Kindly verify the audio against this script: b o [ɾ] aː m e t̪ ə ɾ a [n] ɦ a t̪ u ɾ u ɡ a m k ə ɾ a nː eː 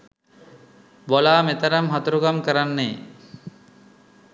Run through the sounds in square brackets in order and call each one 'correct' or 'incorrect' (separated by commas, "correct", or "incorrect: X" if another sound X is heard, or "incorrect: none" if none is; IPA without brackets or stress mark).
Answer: incorrect: l, incorrect: m